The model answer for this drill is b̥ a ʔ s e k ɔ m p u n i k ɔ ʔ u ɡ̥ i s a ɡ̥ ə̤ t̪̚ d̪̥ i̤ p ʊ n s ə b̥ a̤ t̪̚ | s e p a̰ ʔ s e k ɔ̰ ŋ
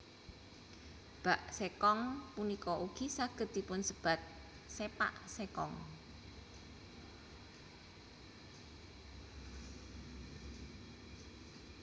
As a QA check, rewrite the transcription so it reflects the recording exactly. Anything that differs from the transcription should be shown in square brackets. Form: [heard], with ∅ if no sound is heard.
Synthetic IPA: b̥ a ʔ s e k ɔ [ŋ] p u n i k ɔ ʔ u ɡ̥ i s a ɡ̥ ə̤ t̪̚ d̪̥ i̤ p ʊ n s ə b̥ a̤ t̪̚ | s e p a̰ ʔ s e k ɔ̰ ŋ